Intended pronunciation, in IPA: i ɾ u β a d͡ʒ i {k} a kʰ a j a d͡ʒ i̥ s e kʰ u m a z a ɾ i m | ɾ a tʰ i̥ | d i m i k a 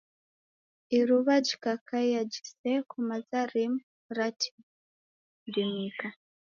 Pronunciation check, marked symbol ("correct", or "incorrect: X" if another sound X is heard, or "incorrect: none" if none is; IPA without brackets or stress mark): correct